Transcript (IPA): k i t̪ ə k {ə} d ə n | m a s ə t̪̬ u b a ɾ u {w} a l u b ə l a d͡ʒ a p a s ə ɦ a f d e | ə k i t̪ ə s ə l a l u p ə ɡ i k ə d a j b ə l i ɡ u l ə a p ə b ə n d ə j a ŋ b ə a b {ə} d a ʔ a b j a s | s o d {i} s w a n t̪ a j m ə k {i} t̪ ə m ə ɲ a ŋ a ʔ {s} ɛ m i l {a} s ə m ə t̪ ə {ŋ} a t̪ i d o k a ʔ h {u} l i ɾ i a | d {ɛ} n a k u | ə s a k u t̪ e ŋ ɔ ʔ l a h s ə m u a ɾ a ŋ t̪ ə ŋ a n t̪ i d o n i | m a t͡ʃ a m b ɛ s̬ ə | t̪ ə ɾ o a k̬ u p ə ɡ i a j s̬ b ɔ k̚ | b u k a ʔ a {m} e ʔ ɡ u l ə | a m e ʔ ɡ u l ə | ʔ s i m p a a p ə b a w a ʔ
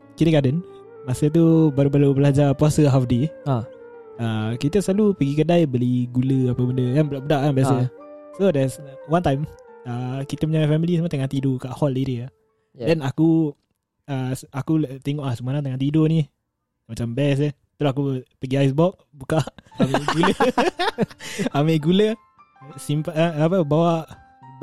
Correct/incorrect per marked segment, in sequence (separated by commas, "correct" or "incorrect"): incorrect, incorrect, correct, incorrect, correct, incorrect, incorrect, correct, incorrect, correct, correct